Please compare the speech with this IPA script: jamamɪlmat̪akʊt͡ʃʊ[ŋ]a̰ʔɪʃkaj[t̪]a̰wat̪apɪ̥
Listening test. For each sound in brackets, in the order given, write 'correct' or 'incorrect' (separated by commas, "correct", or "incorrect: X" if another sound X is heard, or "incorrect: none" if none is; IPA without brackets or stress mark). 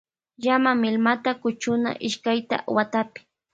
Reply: incorrect: n, correct